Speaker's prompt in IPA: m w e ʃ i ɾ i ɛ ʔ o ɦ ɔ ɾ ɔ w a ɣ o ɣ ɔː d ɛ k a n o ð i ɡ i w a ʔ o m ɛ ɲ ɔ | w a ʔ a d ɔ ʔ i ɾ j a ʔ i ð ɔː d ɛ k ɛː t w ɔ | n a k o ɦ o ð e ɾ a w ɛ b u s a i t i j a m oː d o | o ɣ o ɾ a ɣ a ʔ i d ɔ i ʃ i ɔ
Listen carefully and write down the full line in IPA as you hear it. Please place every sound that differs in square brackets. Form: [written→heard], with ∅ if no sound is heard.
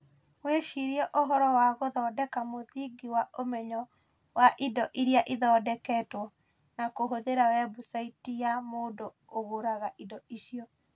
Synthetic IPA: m w e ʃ i ɾ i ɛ ʔ o ɦ ɔ ɾ ɔ w a ɣ o [ɣ→ð] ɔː d ɛ k a [n→m] o ð i ɡ i w a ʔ o m ɛ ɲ ɔ | w a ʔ [a→i] d ɔ ʔ i ɾ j a ʔ i ð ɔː d ɛ k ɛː t w ɔ | n a k o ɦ o ð e ɾ a w ɛ b u s a i t i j a m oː d o | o ɣ o ɾ a ɣ a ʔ i d ɔ i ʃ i ɔ